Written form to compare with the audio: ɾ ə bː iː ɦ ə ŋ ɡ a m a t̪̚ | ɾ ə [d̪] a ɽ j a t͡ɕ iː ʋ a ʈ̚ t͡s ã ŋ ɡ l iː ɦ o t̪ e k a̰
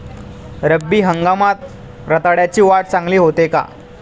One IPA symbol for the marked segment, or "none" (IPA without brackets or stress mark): t̪